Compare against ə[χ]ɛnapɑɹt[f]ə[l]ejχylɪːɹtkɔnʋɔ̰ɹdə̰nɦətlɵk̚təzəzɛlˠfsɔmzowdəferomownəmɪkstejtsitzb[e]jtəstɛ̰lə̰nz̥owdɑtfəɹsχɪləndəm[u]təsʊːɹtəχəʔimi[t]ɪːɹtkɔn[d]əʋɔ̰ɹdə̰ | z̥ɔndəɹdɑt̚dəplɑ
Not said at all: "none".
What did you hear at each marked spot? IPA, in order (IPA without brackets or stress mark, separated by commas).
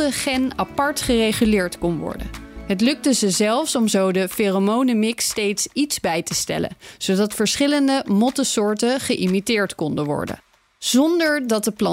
χ, χ, r, ɛ, ɔ, t, d